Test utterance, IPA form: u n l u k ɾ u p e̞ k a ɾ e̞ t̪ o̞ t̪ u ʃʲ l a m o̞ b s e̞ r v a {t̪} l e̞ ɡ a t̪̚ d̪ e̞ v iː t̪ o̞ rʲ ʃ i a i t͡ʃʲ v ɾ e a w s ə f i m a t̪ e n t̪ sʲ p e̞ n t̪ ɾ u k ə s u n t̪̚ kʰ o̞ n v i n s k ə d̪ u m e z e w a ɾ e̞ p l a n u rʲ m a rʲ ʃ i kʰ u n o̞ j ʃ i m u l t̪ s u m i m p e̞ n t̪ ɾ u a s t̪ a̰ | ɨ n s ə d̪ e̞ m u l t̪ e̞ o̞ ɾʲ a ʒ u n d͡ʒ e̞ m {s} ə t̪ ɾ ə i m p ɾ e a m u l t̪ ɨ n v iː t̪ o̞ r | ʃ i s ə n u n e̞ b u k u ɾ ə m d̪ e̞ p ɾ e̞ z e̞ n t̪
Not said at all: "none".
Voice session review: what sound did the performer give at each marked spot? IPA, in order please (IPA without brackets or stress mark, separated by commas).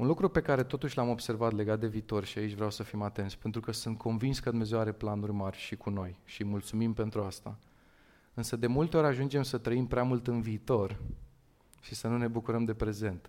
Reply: t̪, s